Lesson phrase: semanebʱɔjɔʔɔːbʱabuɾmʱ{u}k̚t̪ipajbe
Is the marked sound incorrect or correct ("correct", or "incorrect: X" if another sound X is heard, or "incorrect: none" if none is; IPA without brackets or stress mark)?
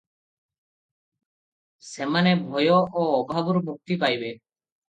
correct